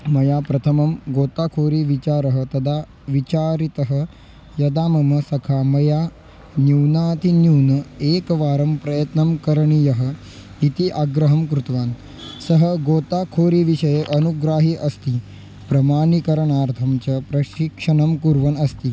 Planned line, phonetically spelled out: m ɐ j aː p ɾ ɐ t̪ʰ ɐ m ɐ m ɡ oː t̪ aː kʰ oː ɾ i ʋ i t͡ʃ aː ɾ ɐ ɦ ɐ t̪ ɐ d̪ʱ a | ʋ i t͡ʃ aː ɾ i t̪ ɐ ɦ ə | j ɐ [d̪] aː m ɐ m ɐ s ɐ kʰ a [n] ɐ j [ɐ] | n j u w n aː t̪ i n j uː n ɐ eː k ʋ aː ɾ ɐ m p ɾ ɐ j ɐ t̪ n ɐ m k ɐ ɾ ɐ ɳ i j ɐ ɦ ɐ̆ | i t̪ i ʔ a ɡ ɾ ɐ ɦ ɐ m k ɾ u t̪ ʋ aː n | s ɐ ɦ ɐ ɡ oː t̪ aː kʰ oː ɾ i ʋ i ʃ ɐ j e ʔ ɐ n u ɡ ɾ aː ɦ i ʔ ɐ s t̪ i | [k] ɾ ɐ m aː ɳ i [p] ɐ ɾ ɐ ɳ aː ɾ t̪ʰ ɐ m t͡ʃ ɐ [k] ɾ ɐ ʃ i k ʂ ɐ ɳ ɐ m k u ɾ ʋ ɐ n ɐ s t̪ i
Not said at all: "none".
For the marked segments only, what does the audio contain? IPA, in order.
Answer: d̪, m, a, p, k, p

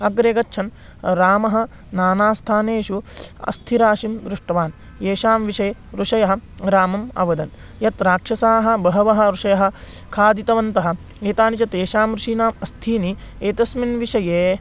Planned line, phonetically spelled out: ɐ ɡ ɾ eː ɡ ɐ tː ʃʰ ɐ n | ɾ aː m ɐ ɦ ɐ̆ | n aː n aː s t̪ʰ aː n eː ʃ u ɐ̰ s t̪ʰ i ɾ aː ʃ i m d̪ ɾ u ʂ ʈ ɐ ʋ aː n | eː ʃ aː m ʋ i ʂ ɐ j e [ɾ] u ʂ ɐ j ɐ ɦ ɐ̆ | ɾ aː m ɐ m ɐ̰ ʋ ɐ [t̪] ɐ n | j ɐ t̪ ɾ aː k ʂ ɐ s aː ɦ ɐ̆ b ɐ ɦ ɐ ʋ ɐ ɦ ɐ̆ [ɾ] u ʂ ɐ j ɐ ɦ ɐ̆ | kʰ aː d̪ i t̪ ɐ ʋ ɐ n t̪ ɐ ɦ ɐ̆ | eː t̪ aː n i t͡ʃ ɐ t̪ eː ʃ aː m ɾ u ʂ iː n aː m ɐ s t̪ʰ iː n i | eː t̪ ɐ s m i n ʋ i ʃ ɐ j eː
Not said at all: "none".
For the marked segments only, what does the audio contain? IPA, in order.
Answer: ɾ, d̪, ɾ

